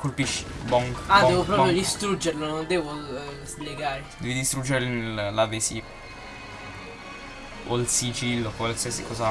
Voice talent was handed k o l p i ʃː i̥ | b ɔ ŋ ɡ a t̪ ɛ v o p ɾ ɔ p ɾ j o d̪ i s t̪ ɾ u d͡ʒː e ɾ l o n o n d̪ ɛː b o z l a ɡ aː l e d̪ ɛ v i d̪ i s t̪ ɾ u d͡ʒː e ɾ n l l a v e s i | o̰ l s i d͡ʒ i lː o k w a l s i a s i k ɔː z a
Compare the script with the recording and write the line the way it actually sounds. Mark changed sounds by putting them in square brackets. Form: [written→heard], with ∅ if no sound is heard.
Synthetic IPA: k o l p i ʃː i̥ | b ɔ ŋ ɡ a [t̪→d̪] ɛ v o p ɾ ɔ p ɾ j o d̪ i s t̪ ɾ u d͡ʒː e ɾ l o n o n d̪ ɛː [b→v] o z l [a→e] ɡ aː [l→ɾ] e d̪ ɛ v i d̪ i s t̪ ɾ u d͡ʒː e ɾ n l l a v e s i | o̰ l s i d͡ʒ i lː o k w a l s i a s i k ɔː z a